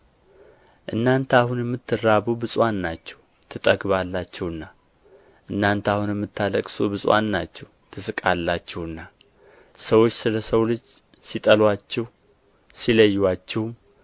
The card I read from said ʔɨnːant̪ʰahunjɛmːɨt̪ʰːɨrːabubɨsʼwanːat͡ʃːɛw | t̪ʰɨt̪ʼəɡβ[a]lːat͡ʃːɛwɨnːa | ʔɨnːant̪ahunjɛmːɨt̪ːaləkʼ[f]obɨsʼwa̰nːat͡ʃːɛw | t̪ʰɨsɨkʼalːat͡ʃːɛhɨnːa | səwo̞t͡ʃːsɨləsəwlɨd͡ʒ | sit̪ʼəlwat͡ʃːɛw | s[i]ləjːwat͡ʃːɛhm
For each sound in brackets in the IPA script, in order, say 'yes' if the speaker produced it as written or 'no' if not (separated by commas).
yes, no, yes